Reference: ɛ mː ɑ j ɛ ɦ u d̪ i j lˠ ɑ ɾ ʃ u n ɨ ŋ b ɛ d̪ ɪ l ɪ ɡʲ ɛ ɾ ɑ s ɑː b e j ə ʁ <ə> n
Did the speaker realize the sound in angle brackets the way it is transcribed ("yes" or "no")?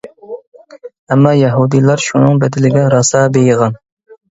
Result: no